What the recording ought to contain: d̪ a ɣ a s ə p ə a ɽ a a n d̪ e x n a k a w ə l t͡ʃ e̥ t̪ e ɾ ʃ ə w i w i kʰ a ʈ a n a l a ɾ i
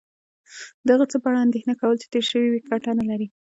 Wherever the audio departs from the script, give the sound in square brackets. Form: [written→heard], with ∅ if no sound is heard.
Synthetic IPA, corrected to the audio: d̪ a ɣ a [s→t͡s] ə p ə a ɽ a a n d̪ e x n a k a w ə l t͡ʃ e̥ t̪ e ɾ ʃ ə w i w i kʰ a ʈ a n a l a ɾ i